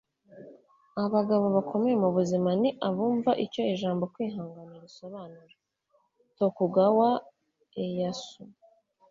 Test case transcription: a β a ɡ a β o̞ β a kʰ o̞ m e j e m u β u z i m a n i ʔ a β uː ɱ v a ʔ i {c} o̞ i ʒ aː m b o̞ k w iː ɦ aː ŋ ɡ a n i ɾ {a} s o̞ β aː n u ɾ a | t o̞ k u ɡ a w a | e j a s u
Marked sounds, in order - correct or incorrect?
correct, incorrect: i

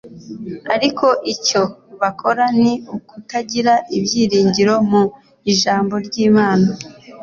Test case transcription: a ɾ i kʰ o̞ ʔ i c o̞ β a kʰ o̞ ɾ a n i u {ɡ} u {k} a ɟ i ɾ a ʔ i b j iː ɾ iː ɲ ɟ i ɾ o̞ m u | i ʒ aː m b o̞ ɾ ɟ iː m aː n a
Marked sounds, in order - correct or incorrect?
incorrect: k, incorrect: t

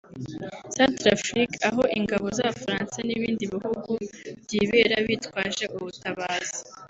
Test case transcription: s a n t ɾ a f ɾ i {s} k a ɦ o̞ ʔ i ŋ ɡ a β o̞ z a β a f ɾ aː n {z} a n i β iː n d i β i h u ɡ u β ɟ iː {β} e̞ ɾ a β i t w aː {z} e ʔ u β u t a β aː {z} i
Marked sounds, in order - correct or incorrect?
incorrect: none, incorrect: s, correct, incorrect: ʒ, correct

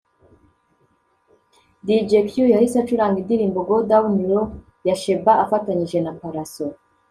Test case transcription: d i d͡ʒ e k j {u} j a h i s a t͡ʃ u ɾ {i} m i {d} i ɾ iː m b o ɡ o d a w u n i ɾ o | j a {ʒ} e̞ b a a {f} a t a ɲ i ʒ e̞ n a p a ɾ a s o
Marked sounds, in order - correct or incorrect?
correct, incorrect: a, correct, incorrect: ʃ, correct

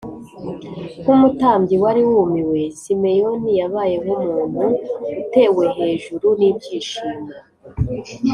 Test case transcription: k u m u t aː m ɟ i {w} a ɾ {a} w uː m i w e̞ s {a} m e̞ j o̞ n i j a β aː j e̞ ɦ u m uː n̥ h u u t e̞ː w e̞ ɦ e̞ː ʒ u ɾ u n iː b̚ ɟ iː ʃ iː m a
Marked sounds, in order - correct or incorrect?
correct, incorrect: i, incorrect: i

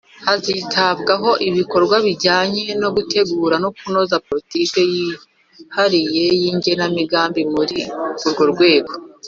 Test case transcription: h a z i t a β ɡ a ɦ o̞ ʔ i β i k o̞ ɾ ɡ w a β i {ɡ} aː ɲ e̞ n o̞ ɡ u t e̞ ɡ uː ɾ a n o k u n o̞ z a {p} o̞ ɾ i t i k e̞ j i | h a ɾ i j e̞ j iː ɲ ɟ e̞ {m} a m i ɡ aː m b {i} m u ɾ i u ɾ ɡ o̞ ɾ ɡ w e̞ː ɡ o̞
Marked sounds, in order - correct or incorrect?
incorrect: ɟ, correct, incorrect: n, correct

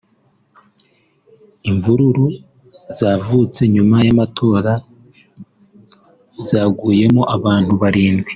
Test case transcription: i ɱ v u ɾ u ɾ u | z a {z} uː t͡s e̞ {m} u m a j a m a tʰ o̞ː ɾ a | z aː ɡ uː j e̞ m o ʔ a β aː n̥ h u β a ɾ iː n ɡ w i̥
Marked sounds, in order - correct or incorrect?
incorrect: v, incorrect: ɲ

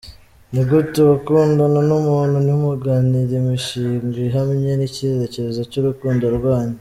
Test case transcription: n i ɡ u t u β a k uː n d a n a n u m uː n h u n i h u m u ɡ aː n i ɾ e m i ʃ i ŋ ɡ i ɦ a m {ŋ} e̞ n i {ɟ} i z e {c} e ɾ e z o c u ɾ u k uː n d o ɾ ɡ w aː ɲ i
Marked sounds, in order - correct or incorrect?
incorrect: ɲ, incorrect: c, correct

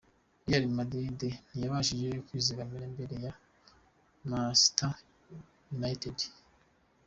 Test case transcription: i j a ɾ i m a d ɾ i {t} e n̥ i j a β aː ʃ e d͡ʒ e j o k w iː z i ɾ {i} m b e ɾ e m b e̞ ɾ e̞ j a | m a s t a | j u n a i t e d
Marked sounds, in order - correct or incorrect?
incorrect: d, incorrect: a

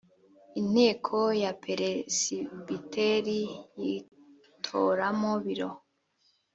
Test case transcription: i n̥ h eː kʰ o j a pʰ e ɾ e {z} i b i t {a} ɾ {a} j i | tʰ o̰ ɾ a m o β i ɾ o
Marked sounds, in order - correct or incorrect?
incorrect: s, incorrect: e, incorrect: i

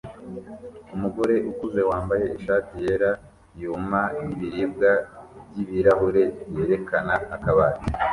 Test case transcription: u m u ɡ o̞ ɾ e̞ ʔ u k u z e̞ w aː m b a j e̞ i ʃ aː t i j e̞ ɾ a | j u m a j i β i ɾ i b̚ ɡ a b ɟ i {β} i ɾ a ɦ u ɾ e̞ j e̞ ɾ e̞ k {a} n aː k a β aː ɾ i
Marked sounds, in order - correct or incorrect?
correct, correct

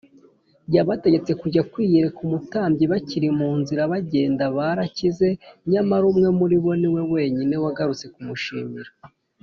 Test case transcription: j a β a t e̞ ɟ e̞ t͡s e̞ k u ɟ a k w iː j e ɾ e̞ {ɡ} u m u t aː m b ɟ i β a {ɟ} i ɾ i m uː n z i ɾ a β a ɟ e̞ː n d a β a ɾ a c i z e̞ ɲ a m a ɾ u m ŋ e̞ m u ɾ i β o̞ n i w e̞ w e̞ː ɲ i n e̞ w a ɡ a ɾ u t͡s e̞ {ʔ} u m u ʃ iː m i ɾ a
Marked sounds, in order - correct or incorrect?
incorrect: k, incorrect: c, incorrect: k

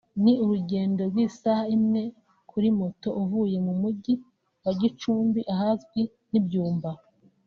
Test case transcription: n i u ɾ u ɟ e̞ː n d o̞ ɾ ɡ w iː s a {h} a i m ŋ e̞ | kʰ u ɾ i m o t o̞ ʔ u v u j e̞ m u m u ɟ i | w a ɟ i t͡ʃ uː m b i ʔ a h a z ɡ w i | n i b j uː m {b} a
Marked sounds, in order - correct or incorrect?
correct, correct

